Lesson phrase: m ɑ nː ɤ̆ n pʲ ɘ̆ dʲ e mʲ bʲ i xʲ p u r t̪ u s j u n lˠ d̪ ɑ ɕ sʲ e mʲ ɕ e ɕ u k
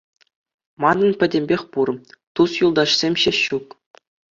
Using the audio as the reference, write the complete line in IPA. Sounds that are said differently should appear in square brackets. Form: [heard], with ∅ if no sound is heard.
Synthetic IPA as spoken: m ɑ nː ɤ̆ n pʲ ɘ̆ dʲ e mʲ bʲ [e] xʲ p u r t̪ u s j u [∅] lˠ d̪ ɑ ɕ sʲ e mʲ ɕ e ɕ u k